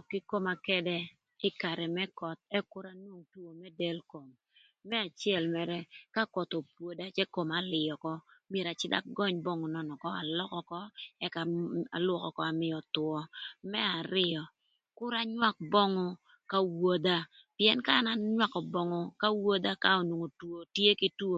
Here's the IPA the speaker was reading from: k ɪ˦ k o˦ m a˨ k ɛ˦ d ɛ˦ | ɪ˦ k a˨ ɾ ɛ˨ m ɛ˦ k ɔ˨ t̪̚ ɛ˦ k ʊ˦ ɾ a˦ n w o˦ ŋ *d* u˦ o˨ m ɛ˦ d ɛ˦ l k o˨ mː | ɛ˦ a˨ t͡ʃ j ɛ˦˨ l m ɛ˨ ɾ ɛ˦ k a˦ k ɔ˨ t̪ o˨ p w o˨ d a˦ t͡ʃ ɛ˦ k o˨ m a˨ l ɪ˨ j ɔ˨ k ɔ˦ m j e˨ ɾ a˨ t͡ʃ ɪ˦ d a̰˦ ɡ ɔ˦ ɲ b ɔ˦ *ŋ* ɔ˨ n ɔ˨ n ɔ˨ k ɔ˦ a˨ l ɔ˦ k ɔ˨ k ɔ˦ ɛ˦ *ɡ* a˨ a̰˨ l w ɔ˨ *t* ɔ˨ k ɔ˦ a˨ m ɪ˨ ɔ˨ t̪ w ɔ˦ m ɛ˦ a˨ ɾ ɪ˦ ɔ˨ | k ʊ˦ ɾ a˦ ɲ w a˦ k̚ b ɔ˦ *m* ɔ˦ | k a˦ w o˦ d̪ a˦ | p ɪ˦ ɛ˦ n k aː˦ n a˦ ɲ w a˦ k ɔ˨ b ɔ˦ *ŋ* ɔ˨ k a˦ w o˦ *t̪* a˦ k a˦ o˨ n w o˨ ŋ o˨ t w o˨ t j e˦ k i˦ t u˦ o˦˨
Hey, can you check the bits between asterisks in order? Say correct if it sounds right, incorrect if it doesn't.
incorrect: t, correct, incorrect: k, incorrect: k, incorrect: ŋ, correct, incorrect: d̪

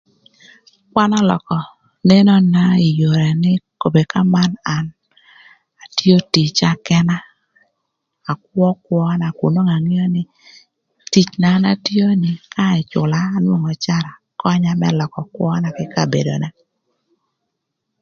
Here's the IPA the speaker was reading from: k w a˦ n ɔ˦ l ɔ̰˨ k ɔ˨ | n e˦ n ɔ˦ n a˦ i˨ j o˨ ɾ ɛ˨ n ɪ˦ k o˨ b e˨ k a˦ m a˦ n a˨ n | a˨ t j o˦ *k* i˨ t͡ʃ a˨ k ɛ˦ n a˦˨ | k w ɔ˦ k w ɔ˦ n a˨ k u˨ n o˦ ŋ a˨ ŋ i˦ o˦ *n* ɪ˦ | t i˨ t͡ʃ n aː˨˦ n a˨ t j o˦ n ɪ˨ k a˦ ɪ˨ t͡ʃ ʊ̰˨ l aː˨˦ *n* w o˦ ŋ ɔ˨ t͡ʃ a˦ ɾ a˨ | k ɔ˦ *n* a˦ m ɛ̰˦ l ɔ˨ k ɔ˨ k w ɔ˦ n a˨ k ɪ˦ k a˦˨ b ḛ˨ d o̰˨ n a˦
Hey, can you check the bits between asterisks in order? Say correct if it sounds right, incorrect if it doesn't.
incorrect: t, correct, correct, incorrect: ɲ

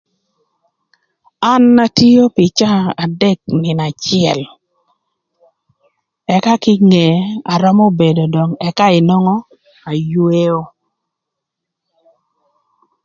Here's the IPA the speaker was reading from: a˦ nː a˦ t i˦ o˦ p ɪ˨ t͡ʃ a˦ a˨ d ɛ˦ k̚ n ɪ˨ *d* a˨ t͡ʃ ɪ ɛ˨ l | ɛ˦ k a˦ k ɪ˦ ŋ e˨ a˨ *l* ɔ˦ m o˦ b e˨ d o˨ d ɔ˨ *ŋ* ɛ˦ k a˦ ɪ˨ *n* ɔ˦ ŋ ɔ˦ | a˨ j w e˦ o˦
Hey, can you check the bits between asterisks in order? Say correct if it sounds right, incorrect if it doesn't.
incorrect: n, incorrect: ɾ, correct, correct

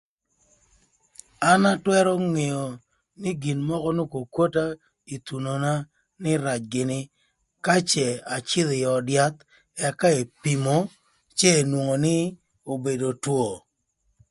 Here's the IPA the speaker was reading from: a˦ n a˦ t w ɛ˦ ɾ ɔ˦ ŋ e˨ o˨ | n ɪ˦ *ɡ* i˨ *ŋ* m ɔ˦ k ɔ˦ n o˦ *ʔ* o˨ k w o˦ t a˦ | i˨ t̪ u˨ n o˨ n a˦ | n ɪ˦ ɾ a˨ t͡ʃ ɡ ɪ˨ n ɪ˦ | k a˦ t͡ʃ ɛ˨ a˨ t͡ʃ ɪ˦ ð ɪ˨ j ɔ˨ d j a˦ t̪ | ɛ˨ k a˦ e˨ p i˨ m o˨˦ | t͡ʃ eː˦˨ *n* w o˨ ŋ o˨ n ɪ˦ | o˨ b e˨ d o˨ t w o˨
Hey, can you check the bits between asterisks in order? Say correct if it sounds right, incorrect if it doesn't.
correct, incorrect: n, incorrect: k, correct

